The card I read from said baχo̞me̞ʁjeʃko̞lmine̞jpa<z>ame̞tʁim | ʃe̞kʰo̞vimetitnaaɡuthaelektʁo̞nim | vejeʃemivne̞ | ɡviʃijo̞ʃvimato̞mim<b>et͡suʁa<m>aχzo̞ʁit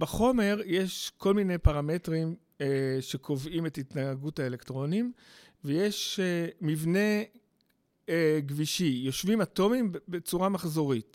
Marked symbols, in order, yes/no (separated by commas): no, yes, yes